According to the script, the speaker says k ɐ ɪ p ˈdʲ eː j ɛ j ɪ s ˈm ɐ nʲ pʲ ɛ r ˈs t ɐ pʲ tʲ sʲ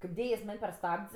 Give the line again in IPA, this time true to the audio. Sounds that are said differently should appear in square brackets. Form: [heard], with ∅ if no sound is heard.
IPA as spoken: k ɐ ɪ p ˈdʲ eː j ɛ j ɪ s ˈm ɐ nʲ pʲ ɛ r ˈs t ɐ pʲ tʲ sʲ